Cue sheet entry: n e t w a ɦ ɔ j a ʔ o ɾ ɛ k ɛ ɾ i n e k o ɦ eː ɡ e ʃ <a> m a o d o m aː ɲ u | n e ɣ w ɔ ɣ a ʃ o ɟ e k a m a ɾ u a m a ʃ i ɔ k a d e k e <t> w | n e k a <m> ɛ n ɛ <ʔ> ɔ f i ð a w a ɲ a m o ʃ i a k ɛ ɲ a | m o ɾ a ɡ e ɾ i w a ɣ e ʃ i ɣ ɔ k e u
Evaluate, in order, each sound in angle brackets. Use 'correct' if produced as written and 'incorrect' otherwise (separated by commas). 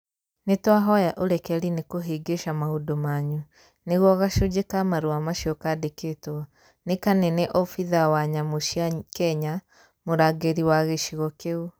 correct, correct, incorrect, correct